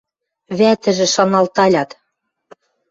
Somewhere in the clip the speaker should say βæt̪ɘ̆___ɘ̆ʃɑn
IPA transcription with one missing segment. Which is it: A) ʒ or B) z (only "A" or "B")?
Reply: A